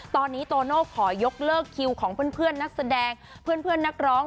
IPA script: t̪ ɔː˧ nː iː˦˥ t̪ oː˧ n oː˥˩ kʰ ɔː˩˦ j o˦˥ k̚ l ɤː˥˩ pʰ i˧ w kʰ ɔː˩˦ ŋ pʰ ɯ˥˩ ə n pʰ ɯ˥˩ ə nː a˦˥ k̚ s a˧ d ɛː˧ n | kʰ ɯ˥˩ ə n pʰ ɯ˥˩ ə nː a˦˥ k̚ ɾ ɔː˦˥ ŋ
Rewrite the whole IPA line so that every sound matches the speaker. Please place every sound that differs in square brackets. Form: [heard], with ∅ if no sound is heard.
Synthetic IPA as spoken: t̪ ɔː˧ nː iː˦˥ t̪ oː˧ n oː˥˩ kʰ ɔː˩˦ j o˦˥ k̚ l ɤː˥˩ [kʰ] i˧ w kʰ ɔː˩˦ ŋ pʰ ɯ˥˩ ə n pʰ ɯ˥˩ ə nː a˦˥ k̚ s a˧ d ɛː˧ [ŋ] | [pʰ] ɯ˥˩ ə n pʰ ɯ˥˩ ə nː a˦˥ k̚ ɾ ɔː˦˥ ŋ